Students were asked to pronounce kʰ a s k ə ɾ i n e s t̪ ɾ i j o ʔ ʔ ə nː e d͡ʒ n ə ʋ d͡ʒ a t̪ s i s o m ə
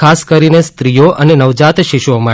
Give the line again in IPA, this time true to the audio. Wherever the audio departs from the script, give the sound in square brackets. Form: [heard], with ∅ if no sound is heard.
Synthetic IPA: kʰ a s k ə ɾ i n e s t̪ ɾ i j o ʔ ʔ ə [n] e [∅] n ə ʋ d͡ʒ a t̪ [ʃ] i [ʃ] o m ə